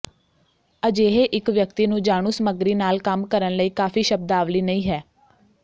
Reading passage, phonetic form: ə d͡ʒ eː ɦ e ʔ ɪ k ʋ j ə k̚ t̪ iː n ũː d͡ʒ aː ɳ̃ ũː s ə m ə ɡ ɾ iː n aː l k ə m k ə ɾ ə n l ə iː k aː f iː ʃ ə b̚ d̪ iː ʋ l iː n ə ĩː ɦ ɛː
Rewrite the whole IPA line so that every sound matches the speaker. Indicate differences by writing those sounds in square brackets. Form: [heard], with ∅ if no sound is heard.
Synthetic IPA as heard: ə d͡ʒ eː ɦ e ʔ ɪ k ʋ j ə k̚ t̪ iː n ũː d͡ʒ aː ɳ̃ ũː s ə m ə ɡ ɾ iː n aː l k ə m k ə ɾ ə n l ə iː k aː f iː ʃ ə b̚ d̪ [aː] ʋ l iː n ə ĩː ɦ ɛː